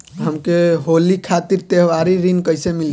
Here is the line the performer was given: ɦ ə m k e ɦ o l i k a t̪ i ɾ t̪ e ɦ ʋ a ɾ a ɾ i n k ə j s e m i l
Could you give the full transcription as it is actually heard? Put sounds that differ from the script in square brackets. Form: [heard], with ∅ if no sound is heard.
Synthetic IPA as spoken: ɦ ə m k e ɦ o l i [kʰ] a t̪ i ɾ t̪ e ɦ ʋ a ɾ [i] ɾ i n k ə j s e m i l